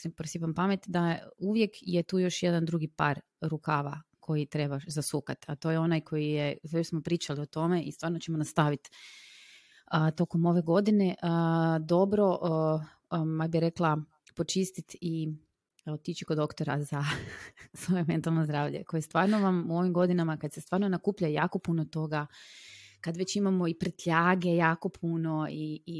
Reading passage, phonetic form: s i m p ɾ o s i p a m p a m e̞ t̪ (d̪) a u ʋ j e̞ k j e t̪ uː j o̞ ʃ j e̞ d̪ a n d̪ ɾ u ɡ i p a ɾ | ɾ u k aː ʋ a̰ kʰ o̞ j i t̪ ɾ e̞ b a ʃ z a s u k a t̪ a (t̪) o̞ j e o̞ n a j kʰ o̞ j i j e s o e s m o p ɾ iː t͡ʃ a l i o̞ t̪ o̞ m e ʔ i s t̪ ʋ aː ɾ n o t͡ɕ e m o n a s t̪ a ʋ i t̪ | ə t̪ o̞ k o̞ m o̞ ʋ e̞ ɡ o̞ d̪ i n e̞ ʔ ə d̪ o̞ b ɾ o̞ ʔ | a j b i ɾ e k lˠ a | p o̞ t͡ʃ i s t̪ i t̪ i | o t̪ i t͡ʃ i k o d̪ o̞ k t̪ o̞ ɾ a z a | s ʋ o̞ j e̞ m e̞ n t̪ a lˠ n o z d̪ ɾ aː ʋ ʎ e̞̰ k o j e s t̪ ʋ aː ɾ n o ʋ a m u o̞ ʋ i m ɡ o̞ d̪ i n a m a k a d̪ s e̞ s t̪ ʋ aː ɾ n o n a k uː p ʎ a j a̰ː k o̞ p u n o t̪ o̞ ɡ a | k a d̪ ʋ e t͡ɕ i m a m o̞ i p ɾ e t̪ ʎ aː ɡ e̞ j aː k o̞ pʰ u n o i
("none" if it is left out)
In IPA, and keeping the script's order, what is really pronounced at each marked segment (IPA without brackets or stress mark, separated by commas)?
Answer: d̪, t̪